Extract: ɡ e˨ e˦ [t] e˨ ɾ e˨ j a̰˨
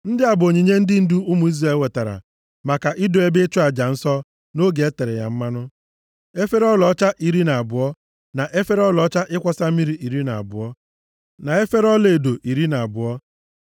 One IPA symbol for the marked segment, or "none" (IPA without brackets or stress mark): t